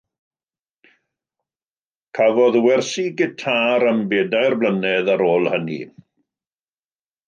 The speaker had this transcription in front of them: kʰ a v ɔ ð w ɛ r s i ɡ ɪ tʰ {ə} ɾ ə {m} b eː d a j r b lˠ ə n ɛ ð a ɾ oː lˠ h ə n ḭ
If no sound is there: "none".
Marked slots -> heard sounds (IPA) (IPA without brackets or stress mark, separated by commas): a, m